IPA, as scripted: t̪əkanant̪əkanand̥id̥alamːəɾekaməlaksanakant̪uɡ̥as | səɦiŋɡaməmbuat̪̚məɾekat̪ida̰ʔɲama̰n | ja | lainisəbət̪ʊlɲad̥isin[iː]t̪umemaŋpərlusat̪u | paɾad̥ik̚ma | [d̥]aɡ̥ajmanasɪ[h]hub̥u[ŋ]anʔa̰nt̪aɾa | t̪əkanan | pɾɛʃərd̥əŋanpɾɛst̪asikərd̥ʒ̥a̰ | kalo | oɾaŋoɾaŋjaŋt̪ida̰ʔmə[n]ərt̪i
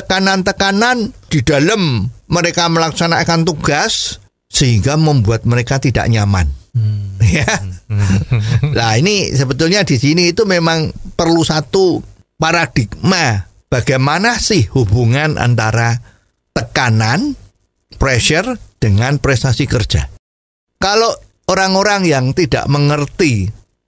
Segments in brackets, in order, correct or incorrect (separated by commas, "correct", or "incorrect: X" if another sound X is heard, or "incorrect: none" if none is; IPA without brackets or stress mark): correct, incorrect: b̥, correct, correct, incorrect: ŋ